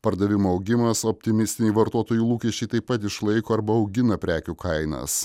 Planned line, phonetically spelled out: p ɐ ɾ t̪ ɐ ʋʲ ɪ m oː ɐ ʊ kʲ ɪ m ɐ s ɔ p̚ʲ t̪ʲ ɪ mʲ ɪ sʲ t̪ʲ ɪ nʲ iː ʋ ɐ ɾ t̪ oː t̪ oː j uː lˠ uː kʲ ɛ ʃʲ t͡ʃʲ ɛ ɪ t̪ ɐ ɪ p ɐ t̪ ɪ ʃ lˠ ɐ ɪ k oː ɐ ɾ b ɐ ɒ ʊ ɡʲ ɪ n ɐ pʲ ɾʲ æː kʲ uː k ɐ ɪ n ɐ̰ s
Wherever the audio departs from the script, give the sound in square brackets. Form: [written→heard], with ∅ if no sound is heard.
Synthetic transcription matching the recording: p ɐ ɾ [t̪→d̪] ɐ ʋʲ ɪ m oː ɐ ʊ [kʲ→ɡʲ] ɪ m ɐ s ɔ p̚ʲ t̪ʲ ɪ mʲ ɪ sʲ t̪ʲ ɪ nʲ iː ʋ ɐ ɾ t̪ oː t̪ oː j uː lˠ uː kʲ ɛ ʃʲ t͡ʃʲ ɛ ɪ t̪ ɐ ɪ p ɐ t̪ ɪ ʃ lˠ ɐ ɪ k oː ɐ ɾ b ɐ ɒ ʊ ɡʲ ɪ n ɐ pʲ ɾʲ æː kʲ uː k ɐ ɪ n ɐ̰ s